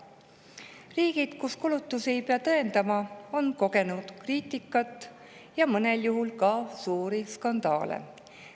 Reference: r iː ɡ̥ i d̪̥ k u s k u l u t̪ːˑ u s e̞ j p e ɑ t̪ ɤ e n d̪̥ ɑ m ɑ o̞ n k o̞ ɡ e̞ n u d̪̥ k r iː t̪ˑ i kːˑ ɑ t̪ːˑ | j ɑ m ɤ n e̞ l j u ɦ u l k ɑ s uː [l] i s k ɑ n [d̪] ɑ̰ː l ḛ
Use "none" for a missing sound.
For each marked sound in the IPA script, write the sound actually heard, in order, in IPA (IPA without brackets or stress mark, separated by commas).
ɾ, d̪